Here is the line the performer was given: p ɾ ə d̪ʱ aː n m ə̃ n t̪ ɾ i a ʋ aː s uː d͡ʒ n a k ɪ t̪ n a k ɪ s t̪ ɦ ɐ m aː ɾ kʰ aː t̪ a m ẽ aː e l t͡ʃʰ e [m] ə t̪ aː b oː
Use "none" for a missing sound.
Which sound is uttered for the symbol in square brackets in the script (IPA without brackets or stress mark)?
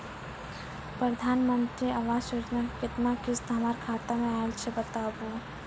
b